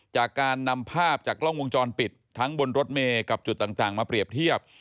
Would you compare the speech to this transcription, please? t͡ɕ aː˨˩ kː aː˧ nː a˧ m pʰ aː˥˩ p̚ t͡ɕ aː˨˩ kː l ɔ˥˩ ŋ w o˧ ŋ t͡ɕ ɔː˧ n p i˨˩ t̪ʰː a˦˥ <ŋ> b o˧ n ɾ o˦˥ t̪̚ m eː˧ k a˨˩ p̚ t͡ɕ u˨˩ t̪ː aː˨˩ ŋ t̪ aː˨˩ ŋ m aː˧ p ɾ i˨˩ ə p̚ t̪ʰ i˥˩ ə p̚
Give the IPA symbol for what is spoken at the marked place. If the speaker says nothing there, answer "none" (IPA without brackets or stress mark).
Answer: ŋ